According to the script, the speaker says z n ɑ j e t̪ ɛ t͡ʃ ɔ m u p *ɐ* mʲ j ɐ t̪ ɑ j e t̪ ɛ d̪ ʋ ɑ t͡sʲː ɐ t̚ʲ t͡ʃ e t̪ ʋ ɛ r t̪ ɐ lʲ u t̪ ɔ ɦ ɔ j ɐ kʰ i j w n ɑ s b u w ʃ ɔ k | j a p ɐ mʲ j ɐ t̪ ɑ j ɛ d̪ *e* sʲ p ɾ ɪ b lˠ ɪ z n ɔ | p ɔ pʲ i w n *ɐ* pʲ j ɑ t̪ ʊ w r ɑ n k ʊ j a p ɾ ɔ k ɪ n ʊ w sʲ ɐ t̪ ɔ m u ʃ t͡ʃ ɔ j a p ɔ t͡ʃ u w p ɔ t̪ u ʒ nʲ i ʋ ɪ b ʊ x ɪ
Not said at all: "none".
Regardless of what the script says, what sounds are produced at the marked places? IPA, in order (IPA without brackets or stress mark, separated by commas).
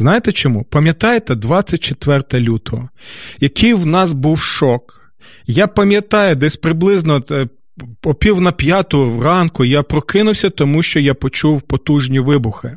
ɐ, ɛ, ɐ